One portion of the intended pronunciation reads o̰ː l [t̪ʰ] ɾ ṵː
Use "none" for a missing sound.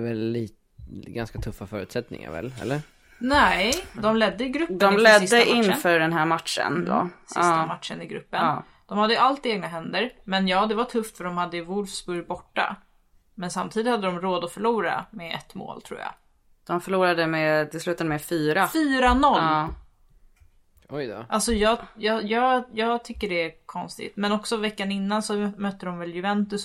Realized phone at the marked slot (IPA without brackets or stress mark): t̪ʰ